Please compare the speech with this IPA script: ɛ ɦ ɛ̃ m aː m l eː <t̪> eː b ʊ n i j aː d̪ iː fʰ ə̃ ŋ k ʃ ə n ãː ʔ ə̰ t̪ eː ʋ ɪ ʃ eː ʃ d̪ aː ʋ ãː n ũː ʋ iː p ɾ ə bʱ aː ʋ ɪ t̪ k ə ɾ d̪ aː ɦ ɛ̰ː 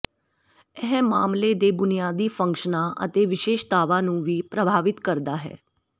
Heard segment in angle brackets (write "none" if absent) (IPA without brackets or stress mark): d̪